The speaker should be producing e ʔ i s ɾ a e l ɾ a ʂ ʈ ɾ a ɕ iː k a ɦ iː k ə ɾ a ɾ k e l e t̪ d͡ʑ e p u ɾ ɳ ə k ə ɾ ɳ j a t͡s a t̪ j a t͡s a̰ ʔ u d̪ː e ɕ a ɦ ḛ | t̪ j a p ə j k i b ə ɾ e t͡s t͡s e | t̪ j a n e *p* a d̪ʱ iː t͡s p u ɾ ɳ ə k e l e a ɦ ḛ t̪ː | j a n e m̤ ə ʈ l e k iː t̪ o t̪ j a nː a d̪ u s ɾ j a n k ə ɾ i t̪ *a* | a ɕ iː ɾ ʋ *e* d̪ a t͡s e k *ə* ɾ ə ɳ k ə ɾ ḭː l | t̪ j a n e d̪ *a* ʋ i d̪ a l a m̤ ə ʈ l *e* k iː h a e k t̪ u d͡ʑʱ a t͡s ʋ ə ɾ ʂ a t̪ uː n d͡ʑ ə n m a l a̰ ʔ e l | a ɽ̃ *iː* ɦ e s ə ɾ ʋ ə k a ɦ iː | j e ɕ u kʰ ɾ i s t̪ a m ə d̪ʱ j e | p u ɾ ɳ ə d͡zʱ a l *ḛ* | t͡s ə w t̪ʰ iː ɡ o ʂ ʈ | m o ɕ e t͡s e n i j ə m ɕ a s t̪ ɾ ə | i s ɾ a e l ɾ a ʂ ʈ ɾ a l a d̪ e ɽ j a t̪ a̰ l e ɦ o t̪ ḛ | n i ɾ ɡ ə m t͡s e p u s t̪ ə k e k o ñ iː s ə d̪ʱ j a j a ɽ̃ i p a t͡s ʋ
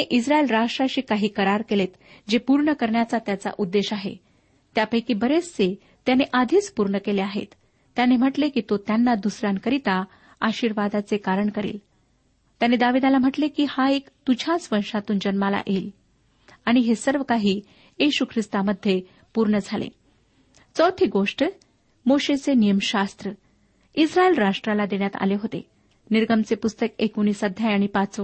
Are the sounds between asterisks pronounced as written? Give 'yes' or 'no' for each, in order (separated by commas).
no, yes, no, no, yes, yes, no, yes